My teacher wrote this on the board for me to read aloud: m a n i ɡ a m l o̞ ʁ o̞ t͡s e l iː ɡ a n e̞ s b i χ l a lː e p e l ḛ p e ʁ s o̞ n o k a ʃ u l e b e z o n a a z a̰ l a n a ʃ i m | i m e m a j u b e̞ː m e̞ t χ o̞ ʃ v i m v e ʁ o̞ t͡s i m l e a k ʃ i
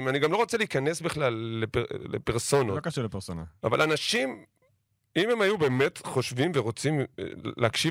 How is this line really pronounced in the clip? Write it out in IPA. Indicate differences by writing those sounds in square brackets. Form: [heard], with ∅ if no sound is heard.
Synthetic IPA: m a n i ɡ a m l o̞ ʁ o̞ t͡s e l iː [k] a n e̞ s b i χ l a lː e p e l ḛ p e ʁ s o̞ n o k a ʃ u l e [p] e [s] o n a a [v] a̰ l a n a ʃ i m | i m e m a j u b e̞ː m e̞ t χ o̞ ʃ v i m v e ʁ o̞ t͡s i m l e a k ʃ i